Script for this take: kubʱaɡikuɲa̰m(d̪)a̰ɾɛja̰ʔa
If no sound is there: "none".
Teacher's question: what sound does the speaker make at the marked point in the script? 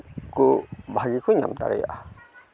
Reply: t̪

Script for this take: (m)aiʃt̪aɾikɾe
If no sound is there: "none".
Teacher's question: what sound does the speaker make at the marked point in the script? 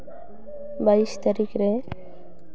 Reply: b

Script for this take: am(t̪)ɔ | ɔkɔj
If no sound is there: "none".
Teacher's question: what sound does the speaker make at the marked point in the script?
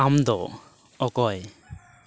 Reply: d̪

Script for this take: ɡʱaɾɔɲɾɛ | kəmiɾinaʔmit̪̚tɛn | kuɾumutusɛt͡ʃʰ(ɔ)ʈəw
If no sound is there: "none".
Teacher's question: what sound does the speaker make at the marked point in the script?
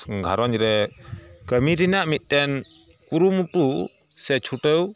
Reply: u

